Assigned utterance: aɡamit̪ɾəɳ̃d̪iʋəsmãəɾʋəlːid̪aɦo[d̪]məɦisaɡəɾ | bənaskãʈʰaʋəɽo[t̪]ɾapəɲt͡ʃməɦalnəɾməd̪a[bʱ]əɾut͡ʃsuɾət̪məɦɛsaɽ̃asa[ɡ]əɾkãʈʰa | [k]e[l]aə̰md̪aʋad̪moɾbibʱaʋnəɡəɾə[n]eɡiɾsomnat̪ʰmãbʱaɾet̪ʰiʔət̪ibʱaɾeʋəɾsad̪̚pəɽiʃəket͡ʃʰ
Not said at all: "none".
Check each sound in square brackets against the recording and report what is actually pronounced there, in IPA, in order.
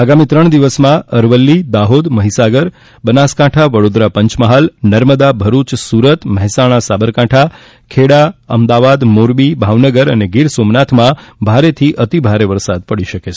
d̪, d̪, bʱ, b, kʰ, ɽ, n

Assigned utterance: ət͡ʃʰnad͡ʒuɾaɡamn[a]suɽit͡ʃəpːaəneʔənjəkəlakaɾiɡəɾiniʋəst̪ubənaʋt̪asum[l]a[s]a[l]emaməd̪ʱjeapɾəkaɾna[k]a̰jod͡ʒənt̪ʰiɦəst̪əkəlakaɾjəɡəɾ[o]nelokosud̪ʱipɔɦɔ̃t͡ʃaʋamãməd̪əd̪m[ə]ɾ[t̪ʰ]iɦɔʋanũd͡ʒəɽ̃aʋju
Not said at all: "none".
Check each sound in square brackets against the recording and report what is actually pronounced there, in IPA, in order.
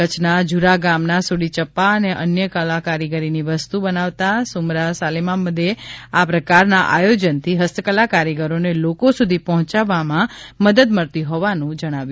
a, ɾ, s, l, ʔ, o, ə, t̪

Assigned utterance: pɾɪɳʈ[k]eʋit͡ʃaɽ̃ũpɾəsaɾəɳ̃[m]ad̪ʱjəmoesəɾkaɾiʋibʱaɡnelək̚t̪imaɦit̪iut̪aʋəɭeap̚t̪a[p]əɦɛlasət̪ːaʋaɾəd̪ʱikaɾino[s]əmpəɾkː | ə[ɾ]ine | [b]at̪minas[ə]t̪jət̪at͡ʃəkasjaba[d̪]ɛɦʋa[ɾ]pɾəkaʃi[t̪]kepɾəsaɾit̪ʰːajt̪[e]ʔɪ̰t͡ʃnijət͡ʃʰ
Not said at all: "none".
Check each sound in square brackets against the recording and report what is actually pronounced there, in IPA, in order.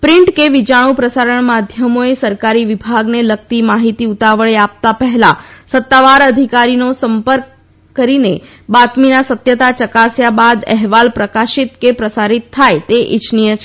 k, m, p, s, ɾ, b, ə, d̪, l, t̪, e

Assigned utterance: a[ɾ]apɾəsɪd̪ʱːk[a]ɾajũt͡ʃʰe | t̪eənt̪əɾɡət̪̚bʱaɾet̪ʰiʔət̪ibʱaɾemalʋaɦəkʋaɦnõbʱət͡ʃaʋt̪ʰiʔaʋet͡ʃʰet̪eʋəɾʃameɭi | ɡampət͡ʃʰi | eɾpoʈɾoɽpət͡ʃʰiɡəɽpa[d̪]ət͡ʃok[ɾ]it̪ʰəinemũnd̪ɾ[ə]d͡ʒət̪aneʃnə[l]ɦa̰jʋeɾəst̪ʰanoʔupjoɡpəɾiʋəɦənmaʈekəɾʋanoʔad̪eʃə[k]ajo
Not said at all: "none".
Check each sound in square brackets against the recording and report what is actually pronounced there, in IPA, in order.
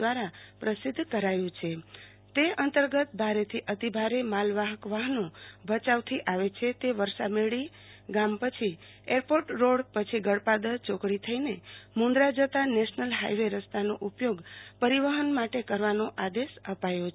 ɾ, ə, d̪, ɽ, a, l, p

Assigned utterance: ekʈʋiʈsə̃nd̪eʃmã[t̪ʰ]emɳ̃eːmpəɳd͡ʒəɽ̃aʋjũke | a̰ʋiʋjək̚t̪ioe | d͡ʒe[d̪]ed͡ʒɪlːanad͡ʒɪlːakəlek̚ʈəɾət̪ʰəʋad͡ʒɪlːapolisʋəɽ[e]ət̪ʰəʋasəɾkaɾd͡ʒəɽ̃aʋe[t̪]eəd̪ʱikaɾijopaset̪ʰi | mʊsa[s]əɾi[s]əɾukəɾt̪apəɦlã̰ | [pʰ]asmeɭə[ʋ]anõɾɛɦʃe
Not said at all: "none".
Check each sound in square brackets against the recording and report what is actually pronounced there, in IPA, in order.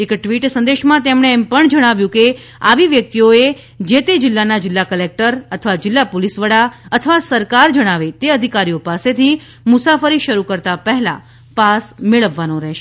t̪, t̪, a, t̪, f, ʃ, p, ʋː

